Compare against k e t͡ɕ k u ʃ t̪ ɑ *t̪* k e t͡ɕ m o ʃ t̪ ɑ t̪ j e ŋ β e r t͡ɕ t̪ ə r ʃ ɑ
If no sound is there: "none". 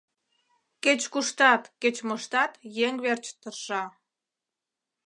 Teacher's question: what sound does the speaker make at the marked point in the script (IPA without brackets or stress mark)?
t̪